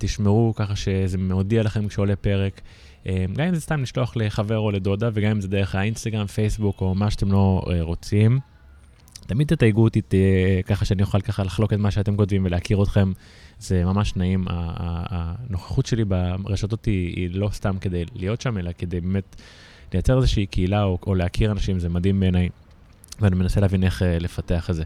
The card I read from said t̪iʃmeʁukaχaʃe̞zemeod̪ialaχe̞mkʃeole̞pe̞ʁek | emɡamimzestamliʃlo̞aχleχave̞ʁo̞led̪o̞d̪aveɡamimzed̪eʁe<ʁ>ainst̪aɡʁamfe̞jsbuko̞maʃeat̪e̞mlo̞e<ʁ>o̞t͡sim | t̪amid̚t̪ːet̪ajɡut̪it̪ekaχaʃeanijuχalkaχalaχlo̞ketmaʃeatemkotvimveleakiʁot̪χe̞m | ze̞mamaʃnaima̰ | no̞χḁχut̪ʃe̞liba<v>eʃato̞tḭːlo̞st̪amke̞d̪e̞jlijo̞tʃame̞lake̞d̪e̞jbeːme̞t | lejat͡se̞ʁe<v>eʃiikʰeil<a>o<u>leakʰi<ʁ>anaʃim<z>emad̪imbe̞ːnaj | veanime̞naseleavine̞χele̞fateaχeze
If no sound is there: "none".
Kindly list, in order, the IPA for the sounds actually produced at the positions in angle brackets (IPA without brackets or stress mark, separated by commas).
χ, ʁ, ʁ, z, a, o, ʁ, z